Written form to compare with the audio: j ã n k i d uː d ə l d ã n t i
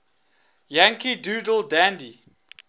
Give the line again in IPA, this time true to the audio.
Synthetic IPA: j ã ŋ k i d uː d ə l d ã n d i

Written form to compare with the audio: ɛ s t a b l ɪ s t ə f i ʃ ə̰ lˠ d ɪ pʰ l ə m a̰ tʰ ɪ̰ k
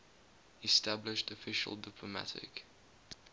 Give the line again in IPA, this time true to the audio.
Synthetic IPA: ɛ s t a b l ɪ ʃ t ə f ɪ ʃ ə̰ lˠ d ɪ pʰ l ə m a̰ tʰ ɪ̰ k

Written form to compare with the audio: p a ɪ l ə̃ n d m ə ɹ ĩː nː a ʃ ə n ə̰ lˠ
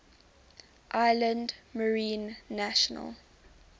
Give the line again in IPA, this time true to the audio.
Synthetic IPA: ʔ a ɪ l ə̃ n d m ə ɹ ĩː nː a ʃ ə n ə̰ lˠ

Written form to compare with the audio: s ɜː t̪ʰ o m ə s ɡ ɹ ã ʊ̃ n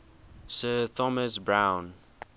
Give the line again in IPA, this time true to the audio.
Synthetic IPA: s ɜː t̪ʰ ɔ m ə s b ɹ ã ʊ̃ n

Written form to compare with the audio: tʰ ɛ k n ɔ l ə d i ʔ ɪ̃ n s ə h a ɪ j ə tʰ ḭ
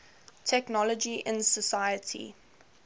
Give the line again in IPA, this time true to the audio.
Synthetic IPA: tʰ ɛ k n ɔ l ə d͡ʒ i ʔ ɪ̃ n s ə s a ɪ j ə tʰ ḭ

